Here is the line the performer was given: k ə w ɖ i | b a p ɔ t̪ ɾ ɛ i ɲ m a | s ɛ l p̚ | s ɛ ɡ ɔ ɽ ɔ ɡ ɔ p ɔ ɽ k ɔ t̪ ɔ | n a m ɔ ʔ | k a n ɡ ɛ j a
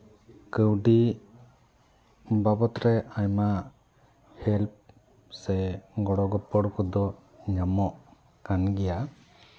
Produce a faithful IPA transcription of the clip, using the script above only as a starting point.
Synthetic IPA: k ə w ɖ i | b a b ɔ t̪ ɾ ɛ a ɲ m a | h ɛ l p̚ | s ɛ ɡ ɔ ɽ ɔ ɡ ɔ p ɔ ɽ k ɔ d̪ ɔ | ɲ a m ɔ ʔ | k a n ɡ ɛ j a